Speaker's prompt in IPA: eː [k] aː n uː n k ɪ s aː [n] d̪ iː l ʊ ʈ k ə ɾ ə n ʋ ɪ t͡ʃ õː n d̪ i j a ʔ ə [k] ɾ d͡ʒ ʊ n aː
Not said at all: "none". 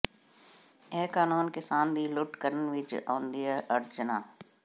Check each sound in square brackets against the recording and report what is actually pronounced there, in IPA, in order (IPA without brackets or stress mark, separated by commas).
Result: k, n, none